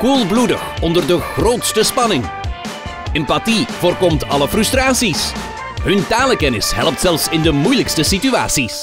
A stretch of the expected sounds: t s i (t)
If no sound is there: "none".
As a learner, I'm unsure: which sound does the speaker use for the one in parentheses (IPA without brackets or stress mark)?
s